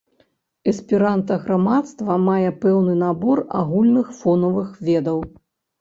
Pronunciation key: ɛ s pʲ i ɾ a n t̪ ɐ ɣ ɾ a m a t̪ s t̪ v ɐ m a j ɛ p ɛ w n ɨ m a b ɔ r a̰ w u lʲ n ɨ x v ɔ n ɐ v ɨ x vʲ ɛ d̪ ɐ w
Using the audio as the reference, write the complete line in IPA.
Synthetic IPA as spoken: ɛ s pʲ i ɾ a n t̪ ɐ ɣ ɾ a m a t̪ s t̪ v ɐ m a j ɛ p ɛ w n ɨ n a b ɔ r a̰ ɣ u lʲ n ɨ x f ɔ n ɐ v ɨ x vʲ ɛ d̪ ɐ w